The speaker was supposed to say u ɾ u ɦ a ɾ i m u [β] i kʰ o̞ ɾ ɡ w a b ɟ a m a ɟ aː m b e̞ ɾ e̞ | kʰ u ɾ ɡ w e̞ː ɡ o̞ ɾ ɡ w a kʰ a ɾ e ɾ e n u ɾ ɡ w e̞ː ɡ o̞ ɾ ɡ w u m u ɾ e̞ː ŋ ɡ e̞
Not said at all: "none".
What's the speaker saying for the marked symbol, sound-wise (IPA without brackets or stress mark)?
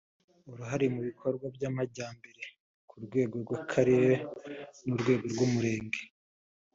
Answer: β